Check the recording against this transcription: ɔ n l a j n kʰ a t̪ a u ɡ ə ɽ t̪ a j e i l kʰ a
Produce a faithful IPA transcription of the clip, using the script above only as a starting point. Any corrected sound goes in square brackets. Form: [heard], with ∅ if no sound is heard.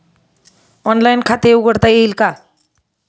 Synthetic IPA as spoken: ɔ n l a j n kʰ a t̪ [e] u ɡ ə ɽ t̪ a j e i l [k] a